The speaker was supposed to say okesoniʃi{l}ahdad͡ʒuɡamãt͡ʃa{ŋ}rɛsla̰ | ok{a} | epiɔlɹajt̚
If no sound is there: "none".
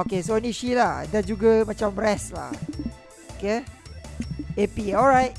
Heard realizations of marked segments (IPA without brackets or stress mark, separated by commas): l, m, e